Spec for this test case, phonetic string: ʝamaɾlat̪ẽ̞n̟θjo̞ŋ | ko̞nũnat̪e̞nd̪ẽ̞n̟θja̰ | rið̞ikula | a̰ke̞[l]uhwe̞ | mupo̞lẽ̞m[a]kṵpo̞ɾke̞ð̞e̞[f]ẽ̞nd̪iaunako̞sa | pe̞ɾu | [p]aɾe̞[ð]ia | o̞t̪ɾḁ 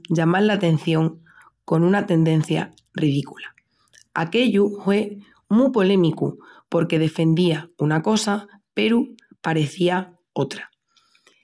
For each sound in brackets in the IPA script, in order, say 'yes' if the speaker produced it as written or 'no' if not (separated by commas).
no, no, yes, yes, no